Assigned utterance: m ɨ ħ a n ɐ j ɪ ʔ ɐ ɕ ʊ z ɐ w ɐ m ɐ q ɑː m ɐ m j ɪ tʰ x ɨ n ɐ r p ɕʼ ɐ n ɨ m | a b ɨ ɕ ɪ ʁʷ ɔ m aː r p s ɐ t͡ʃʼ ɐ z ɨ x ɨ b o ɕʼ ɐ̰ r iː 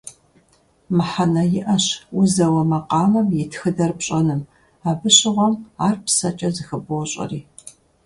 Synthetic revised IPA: m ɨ ħ a n ɐ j ɪ ʔ ɐ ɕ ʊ z ɐ w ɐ m ɐ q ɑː m ɐ m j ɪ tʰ x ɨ d ɐ r p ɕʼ ɐ n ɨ m | a b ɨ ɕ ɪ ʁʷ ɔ m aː r p s ɐ t͡ʃʼ ɐ z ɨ x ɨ b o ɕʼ ɐ̰ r iː